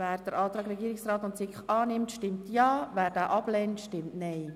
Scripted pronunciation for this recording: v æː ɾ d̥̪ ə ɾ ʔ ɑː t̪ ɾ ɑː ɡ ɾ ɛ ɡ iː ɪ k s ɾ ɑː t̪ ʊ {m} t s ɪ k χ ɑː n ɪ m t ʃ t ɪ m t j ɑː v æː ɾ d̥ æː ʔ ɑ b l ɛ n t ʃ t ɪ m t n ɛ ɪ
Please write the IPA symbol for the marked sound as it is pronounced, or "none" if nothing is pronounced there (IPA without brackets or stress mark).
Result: n